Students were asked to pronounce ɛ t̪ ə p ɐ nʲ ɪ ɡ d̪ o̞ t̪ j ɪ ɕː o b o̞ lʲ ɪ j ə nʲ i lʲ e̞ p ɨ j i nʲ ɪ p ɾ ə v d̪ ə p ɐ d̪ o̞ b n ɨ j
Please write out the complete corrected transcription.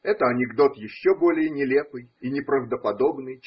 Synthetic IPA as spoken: ɛ t̪ ə ɐ nʲ ɪ ɡ d̪ o̞ t̪ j ɪ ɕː o b o̞ lʲ ɪ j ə nʲ ɪ lʲ e̞ p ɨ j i nʲ ɪ p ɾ ə v d̪ ə p ɐ d̪ o̞ b n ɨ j